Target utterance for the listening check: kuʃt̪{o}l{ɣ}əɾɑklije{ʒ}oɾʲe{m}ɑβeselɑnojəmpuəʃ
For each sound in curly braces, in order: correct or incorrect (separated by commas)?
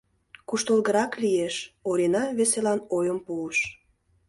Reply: correct, correct, incorrect, incorrect